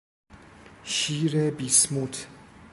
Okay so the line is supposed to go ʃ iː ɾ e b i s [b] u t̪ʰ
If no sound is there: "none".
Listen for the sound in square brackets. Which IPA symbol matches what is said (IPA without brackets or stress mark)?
m